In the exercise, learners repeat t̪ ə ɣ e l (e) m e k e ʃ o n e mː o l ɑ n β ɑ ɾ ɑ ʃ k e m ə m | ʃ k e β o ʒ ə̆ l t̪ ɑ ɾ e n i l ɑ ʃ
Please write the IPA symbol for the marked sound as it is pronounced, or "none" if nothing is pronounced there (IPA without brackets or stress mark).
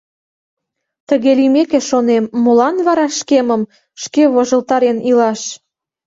i